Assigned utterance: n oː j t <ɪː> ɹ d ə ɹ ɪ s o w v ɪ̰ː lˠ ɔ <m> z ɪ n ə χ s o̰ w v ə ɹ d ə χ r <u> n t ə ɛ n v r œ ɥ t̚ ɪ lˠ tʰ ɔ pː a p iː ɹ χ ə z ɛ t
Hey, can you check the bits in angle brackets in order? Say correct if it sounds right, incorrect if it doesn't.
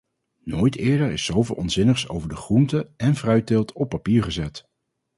correct, incorrect: n, correct

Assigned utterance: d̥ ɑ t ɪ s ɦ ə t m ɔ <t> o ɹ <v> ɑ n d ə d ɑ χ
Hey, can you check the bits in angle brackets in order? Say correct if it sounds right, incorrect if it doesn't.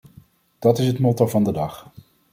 correct, correct

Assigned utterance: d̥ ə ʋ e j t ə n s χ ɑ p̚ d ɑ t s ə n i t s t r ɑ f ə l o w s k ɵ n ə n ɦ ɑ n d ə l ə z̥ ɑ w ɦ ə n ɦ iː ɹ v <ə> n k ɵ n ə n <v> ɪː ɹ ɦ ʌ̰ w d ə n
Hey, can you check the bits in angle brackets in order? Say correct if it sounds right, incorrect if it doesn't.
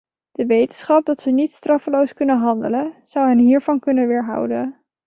incorrect: ɑ, incorrect: ʋ

